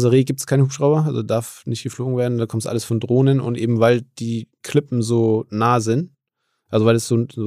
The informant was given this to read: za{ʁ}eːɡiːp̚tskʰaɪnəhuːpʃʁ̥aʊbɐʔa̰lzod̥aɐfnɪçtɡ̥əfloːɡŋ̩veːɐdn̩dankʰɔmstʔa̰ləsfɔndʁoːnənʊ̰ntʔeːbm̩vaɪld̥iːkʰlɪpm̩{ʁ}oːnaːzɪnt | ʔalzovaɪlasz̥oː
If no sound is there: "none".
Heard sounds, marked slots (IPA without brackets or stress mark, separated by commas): ʁ, z